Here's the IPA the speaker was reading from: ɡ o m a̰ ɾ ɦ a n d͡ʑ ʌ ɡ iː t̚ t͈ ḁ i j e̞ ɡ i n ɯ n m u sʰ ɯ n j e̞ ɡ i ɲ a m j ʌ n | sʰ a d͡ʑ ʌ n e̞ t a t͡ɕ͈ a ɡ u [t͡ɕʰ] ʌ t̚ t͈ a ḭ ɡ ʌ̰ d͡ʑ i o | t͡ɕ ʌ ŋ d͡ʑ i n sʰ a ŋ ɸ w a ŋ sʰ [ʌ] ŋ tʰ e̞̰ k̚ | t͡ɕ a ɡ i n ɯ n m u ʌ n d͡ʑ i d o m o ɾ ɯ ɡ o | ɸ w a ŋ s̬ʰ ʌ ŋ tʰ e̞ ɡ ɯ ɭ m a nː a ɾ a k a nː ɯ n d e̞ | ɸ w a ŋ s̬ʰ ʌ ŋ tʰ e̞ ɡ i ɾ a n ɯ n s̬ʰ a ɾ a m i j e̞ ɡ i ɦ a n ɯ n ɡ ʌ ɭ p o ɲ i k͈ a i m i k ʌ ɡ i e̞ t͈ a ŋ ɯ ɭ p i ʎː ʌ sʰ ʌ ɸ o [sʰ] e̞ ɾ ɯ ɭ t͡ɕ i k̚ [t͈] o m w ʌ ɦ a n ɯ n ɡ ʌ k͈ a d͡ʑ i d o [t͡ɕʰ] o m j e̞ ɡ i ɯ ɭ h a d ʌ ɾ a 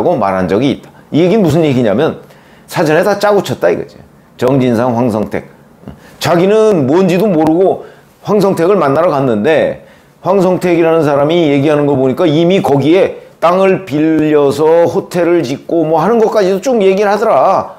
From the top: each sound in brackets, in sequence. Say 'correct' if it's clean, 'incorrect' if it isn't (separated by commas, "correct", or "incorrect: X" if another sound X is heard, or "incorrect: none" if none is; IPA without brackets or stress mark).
correct, correct, incorrect: tʰ, incorrect: k͈, incorrect: t͡ɕ